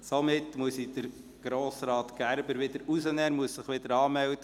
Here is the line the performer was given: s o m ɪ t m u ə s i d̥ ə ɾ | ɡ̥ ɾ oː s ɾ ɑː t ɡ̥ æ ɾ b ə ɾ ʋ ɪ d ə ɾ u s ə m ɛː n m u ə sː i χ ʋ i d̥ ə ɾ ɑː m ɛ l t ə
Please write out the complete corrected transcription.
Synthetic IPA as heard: s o m ɪ t m u ə s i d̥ ə ɾ | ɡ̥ ɾ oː s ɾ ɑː t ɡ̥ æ ɾ b ə ɾ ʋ ɪ d ə ɾ u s ə n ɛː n m u ə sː ɪ χ ʋ ɪ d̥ ə ɾ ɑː m ɛ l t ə